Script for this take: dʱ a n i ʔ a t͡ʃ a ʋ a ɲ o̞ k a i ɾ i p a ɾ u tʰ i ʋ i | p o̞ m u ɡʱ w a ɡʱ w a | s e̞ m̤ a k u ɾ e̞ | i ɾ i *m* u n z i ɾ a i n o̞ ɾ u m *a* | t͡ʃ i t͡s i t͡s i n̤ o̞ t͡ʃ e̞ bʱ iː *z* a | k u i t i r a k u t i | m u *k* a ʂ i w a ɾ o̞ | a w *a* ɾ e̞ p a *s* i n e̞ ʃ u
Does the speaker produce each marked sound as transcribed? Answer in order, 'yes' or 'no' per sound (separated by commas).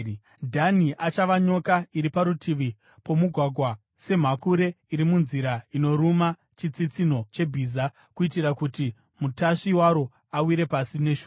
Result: yes, yes, yes, no, no, yes